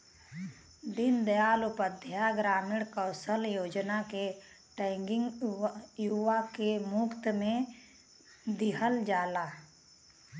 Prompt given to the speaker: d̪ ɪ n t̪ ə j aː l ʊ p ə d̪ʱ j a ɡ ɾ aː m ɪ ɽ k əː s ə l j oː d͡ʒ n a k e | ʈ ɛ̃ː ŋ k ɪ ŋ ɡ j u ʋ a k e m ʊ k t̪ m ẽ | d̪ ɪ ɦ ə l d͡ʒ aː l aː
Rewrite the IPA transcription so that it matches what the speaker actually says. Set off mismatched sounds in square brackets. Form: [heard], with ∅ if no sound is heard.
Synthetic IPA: d̪ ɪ n [d̪] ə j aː l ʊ p ə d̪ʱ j a ɡ ɾ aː m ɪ ɽ k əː s ə l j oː d͡ʒ n a k e | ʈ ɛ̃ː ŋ [ɡ] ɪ ŋ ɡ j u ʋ a k e m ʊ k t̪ m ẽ | d̪ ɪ ɦ ə l d͡ʒ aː l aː